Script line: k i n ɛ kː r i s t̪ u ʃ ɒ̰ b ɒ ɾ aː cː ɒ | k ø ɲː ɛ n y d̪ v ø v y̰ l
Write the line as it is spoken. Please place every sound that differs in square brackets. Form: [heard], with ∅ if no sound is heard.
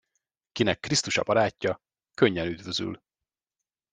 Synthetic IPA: k i n ɛ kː r i s t̪ u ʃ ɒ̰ b ɒ ɾ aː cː ɒ | k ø ɲː ɛ n y d̪ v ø [z] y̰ l